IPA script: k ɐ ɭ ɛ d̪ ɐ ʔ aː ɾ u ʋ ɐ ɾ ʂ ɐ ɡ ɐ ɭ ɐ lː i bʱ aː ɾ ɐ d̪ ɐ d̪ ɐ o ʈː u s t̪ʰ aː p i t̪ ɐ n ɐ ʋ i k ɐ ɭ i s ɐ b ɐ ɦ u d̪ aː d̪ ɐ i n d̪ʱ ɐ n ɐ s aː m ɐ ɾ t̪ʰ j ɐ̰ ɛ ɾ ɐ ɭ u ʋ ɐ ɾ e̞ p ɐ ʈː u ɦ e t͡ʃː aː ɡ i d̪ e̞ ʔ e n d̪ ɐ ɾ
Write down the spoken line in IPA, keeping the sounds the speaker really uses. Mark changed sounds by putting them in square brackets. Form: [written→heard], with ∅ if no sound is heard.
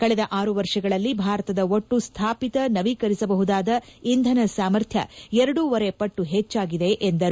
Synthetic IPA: k ɐ ɭ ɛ d̪ ɐ ʔ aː ɾ u ʋ ɐ ɾ ʂ ɐ ɡ ɐ ɭ ɐ lː i bʱ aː ɾ ɐ [d̪→t̪] ɐ d̪ ɐ o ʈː u s t̪ʰ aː p i t̪ ɐ n ɐ ʋ i k ɐ [ɭ→ɾ] i s ɐ b ɐ ɦ u d̪ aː d̪ ɐ i n d̪ʱ ɐ n ɐ s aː m ɐ ɾ t̪ʰ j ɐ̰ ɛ ɾ ɐ [ɭ→ɽ] u ʋ ɐ ɾ e̞ p ɐ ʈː u ɦ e t͡ʃː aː ɡ i d̪ e̞ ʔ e n d̪ ɐ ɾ